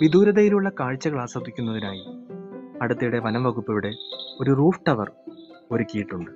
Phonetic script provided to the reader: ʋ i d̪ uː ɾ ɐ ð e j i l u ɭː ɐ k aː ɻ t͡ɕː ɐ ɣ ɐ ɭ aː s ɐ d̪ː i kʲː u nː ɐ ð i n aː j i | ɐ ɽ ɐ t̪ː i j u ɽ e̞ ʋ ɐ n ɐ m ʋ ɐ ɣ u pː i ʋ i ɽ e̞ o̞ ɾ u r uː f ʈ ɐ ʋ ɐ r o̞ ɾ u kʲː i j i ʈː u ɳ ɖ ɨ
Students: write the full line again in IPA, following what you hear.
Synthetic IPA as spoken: ʋ i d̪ uː ɾ ɐ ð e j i l u ɭː ɐ k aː ɻ t͡ɕː ɐ ɣ ɐ ɭ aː s ɐ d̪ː i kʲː u nː ɐ ð i n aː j i | ɐ ɽ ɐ t̪ː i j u ɽ e̞ ʋ ɐ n ɐ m ʋ ɐ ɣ u pː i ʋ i ɽ e̞ o̞ ɾ u r uː f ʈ ɐ ʋ ɐ r o̞ ɾ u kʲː i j i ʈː u ɳ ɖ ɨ